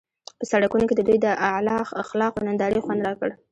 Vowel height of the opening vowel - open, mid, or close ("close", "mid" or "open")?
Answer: mid